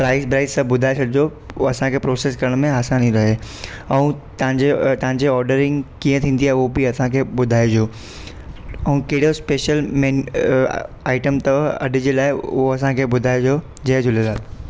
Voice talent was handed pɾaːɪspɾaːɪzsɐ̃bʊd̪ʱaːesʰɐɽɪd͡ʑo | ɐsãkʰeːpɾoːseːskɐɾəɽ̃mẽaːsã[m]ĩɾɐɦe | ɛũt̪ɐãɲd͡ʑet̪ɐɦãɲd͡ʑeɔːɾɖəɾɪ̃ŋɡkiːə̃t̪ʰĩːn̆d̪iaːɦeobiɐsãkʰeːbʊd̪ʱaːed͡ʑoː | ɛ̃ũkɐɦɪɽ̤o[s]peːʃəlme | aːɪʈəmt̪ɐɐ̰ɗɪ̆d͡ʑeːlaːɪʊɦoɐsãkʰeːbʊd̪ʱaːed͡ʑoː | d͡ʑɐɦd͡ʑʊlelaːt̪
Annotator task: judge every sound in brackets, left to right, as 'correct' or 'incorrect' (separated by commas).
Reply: incorrect, correct